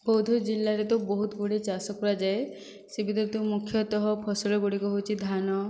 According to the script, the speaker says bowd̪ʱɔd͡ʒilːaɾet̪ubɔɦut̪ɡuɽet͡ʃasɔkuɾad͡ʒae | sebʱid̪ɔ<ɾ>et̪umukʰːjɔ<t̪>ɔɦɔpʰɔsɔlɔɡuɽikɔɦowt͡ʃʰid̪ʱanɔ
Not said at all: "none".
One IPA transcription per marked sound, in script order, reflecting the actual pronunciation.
ɾ, t̪

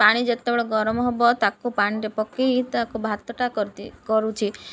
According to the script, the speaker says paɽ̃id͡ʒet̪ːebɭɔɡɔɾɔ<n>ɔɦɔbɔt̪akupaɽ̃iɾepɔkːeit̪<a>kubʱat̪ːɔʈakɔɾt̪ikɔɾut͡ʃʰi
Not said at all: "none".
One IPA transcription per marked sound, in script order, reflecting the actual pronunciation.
m, a

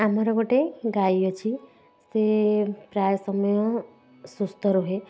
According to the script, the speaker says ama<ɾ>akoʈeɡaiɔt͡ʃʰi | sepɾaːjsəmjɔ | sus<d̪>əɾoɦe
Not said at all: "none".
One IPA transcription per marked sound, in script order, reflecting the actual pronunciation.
ɾ, t̪

